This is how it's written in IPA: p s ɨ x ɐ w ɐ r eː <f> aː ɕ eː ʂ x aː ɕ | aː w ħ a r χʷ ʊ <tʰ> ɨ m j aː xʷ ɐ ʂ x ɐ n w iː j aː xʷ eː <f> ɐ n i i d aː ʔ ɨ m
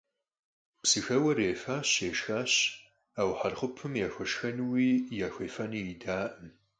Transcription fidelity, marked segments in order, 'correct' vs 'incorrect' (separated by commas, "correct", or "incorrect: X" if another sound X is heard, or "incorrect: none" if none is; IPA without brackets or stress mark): correct, incorrect: pʰ, correct